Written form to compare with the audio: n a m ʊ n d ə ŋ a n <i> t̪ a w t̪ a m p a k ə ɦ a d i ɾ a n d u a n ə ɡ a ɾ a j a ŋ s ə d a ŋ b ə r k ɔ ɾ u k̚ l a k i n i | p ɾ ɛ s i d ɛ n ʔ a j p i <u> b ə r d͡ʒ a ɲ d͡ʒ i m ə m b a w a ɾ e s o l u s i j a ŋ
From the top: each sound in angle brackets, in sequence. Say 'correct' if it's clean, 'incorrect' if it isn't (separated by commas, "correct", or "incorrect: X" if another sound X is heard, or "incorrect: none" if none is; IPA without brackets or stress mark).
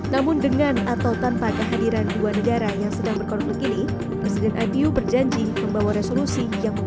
incorrect: a, correct